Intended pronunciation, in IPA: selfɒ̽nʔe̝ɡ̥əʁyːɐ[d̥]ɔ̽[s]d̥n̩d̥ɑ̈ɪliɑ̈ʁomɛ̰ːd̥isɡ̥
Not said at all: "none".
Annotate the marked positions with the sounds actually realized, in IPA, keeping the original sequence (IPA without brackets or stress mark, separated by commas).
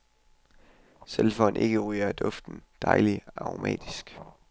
d̥, f